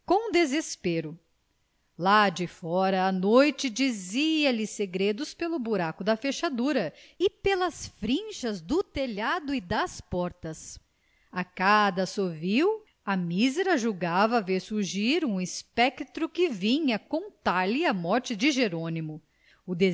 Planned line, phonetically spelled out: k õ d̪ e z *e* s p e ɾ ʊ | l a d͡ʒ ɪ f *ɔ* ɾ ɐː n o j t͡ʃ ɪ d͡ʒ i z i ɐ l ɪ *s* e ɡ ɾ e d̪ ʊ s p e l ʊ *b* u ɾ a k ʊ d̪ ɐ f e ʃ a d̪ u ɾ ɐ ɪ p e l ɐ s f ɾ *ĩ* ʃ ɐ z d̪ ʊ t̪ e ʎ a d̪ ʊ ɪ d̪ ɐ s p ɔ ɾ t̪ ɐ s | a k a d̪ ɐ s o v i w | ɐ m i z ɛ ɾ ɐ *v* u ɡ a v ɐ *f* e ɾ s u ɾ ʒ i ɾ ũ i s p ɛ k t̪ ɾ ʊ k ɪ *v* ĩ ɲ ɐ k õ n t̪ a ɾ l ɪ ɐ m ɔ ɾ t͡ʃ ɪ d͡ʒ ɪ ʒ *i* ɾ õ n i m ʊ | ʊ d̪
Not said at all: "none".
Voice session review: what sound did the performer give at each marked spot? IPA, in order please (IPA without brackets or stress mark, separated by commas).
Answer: e, ɔ, s, b, ĩ, ʒ, v, v, e